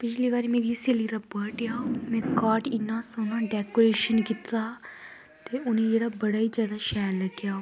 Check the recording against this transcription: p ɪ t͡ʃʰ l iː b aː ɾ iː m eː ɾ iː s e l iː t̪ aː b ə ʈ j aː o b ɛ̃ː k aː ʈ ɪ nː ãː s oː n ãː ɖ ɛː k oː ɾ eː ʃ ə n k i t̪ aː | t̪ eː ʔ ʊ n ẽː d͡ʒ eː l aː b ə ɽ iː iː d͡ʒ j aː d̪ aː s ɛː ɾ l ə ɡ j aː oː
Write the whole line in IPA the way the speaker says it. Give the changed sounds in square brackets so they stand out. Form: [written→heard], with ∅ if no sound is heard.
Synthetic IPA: p ɪ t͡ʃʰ l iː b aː ɾ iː m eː ɾ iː s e l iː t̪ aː b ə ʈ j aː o [b→m] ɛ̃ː k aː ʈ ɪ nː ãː s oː n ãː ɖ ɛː k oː ɾ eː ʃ ə n k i t̪ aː | t̪ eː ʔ ʊ n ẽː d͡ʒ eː [l→ɽ] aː b ə ɽ [iː→aː] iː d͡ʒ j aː d̪ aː [s→ʃ] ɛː ɾ l ə ɡ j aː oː